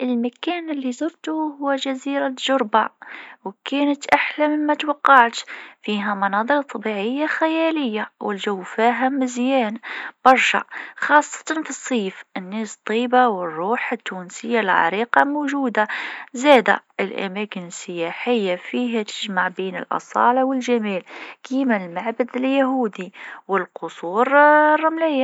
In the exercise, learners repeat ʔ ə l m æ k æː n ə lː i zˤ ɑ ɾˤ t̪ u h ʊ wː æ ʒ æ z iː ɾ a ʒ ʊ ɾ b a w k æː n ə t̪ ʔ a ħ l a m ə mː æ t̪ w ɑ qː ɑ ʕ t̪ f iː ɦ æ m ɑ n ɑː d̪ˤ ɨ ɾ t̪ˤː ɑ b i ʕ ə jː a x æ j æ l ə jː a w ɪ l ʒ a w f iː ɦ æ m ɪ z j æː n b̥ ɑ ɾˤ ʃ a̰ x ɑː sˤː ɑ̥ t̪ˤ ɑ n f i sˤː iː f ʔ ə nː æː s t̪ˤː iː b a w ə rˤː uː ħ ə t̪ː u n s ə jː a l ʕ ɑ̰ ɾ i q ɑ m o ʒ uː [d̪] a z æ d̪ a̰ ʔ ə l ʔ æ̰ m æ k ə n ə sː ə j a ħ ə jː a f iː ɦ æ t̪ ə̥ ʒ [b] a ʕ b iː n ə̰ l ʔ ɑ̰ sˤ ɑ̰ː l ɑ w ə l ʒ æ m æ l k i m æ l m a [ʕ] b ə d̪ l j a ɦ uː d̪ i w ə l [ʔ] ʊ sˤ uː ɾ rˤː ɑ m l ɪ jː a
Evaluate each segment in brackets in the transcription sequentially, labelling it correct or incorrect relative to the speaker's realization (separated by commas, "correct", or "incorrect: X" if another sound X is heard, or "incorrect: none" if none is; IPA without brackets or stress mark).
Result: correct, incorrect: m, correct, incorrect: q